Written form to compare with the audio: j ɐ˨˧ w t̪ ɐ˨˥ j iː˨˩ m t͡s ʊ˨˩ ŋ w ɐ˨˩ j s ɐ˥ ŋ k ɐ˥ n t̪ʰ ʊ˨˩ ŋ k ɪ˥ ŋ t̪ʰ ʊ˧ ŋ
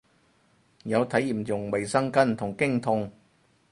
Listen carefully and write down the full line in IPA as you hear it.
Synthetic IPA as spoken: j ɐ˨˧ w t̪ʰ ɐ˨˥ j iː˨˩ m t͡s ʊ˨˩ ŋ w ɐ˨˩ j s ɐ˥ ŋ k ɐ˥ n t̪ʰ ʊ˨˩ ŋ k ɪ˥ ŋ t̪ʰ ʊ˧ ŋ

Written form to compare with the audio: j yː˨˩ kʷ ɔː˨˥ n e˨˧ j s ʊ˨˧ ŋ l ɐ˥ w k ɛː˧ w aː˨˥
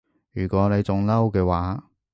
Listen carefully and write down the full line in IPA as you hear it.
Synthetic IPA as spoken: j yː˨˩ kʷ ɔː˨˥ n e˨˧ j t͡s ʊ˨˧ ŋ l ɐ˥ w k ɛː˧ w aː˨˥

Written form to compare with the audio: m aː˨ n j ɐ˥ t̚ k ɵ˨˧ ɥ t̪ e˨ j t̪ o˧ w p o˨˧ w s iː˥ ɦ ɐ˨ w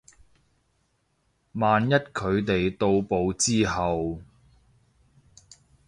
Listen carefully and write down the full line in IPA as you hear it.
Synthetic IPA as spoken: m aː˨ n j ɐ˥ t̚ kʰ ɵ˨˧ ɥ t̪ e˨ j t̪ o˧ w p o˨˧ w t͡s iː˥ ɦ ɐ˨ w

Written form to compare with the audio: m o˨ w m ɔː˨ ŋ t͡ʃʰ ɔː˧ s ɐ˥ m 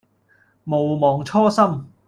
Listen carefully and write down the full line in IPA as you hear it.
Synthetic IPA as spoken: m o˨ w m ɔː˨ ŋ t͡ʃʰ ɔː˥ s ɐ˥ m

